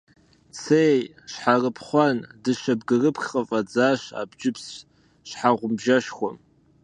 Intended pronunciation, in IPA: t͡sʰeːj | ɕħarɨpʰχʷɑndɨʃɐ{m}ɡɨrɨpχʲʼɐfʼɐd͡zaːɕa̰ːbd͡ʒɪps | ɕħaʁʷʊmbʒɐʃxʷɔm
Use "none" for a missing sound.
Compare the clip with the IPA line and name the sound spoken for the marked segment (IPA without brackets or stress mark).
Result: b